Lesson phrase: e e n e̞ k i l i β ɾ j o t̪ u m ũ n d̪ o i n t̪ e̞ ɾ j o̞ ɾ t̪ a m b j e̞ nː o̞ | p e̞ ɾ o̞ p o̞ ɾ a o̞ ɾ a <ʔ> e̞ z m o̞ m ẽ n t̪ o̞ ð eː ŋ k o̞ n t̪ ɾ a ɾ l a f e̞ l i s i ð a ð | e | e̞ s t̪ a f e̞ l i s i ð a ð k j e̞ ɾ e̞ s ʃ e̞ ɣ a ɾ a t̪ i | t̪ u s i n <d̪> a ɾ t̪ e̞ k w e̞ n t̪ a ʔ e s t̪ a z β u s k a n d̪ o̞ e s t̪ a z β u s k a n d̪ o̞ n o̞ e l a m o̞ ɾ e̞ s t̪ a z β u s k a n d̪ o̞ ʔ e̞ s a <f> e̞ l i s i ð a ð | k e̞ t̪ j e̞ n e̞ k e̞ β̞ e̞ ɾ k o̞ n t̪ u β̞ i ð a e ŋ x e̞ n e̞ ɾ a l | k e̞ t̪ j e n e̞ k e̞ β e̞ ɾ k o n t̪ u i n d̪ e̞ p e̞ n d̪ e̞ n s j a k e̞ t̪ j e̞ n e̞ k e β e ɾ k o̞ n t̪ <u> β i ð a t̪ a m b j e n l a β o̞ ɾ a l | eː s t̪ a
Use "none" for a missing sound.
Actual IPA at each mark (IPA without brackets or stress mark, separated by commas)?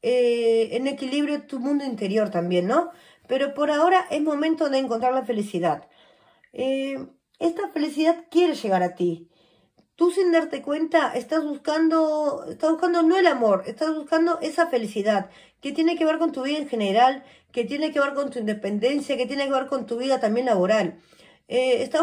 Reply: ʔ, d̪, f, u